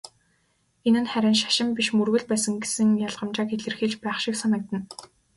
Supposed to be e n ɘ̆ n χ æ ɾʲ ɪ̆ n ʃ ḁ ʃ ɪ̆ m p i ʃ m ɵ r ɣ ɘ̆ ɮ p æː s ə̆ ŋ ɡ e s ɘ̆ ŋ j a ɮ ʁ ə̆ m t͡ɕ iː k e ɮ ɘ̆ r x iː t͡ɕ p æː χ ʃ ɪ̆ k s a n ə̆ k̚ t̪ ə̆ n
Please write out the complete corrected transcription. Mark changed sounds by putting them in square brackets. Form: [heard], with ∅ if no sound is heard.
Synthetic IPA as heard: e n ɘ̆ n χ æ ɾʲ ɪ̆ n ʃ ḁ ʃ ɪ̆ m p i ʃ m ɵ r ɣ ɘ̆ ɮ p æː s ə̆ ŋ ɡ e s ɘ̆ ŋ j a ɮ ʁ ə̆ m t͡ɕ [aː] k e ɮ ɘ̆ r x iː t͡ɕ p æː χ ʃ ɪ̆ k s a n ə̆ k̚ t̪ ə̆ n